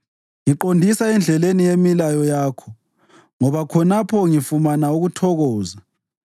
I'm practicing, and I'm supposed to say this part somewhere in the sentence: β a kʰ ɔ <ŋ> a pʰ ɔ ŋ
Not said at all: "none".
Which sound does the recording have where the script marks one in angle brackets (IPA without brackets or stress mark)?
n